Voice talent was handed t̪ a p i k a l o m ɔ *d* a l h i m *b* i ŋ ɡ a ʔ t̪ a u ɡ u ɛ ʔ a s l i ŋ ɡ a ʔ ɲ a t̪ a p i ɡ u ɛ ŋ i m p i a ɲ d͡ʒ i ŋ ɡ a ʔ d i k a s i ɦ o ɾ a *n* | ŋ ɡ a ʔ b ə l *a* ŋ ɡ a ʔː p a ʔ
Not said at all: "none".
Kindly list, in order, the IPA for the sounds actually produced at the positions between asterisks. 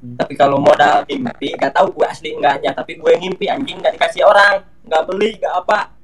d, p, ŋ, i

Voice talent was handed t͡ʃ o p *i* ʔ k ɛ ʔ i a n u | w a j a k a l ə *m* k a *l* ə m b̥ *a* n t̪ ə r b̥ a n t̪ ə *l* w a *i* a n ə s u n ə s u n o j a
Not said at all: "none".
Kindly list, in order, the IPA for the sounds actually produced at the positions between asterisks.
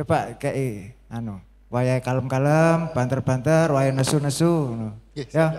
a, m, l, a, r, j

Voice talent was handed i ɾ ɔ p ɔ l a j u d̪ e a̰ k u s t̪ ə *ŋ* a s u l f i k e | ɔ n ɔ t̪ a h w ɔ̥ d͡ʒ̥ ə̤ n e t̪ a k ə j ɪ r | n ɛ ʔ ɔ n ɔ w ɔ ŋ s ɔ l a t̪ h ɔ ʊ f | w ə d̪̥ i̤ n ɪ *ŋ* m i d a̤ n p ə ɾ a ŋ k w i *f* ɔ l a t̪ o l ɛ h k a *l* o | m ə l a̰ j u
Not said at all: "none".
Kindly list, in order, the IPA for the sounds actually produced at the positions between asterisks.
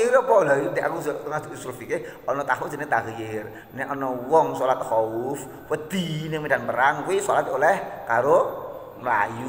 ŋ, ŋ, s, ɾ

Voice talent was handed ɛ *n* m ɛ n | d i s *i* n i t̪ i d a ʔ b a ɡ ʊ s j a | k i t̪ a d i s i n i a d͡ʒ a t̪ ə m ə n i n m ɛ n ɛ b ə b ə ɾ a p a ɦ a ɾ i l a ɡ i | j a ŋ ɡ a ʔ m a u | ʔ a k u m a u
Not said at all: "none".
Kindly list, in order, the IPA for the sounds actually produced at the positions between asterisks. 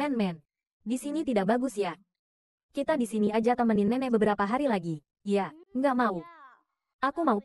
n, i

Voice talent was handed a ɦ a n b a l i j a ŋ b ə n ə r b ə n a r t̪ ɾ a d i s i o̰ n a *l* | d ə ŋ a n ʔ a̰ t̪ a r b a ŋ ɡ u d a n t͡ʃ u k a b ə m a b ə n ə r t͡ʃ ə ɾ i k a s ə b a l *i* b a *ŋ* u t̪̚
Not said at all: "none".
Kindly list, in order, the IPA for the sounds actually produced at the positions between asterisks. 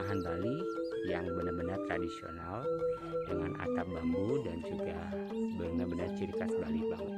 l, i, ŋ

